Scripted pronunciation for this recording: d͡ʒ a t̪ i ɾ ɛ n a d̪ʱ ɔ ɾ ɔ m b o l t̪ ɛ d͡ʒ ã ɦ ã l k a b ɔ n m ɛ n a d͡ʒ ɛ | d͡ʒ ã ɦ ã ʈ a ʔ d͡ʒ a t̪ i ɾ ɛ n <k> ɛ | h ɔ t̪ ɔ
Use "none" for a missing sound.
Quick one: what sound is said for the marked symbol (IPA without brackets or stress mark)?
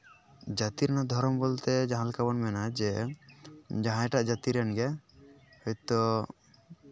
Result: ɡ